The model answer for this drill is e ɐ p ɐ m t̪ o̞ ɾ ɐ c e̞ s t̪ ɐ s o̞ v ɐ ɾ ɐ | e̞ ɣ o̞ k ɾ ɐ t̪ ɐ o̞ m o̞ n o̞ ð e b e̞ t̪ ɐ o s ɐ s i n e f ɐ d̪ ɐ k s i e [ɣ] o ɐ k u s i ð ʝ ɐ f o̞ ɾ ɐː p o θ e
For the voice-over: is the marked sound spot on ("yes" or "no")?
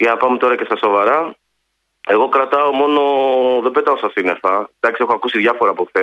no